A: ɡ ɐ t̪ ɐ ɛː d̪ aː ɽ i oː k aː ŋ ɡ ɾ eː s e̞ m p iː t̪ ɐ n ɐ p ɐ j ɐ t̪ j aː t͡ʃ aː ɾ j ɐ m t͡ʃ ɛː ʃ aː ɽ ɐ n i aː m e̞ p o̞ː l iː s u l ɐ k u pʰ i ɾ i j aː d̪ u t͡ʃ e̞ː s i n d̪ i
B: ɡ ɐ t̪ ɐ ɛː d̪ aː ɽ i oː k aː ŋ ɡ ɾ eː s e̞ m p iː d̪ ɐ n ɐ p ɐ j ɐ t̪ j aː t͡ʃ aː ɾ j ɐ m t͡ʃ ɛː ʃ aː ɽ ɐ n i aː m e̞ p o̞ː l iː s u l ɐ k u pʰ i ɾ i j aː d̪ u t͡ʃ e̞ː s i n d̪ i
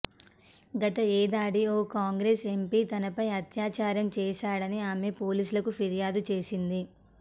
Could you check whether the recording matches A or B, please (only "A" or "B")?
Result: A